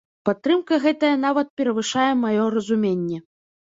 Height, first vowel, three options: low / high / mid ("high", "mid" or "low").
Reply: low